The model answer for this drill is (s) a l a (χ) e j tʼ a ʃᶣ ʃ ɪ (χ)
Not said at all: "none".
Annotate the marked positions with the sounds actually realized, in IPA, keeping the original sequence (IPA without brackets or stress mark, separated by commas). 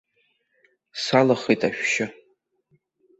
s, χ, none